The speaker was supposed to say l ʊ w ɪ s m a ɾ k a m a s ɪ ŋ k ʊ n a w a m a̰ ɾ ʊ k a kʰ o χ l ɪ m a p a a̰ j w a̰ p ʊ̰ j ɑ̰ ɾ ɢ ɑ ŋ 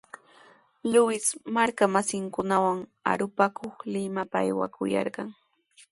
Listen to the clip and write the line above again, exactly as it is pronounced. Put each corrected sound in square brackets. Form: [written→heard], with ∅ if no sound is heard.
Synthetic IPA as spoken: l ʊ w ɪ s m a ɾ k a m a s ɪ ŋ k ʊ n a w a [m→ŋ] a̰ ɾ ʊ [k→p] a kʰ o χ l ɪ m a p a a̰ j w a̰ [p→k] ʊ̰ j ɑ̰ ɾ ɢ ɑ ŋ